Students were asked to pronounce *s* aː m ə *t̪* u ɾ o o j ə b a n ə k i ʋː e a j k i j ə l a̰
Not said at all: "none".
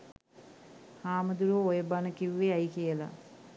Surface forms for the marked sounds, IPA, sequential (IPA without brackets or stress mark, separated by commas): h, d̪